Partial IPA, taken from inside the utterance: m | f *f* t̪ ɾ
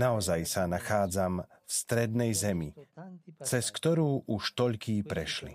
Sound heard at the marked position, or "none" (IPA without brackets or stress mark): s